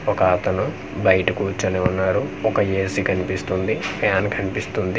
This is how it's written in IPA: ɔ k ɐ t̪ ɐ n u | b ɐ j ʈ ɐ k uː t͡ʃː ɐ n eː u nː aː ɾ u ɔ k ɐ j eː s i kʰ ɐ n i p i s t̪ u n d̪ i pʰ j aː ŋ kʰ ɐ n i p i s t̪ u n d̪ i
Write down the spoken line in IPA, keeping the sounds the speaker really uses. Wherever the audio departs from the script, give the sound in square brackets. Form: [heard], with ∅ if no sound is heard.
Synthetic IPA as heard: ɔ k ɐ t̪ ɐ n u | b ɐ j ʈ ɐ k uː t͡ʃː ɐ n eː u nː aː ɾ u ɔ k ɐ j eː s i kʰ ɐ n i p i s t̪ u n d̪ i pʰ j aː [n] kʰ ɐ n i p i s t̪ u n d̪ i